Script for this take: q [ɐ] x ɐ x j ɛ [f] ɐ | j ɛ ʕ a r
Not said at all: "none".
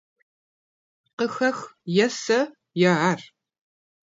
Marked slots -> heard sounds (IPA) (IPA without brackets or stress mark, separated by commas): ə, s